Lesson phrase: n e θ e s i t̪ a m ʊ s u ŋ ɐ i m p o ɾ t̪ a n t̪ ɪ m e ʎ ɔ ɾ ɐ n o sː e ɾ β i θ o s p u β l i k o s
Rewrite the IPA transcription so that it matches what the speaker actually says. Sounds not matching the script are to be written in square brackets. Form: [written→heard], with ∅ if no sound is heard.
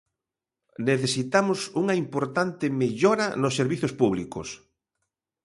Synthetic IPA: n e θ e s i t̪ a m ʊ s u ŋ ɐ i m p o ɾ t̪ a n t̪ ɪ m e ʎ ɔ ɾ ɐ n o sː e ɾ β i θ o s p u β l i k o s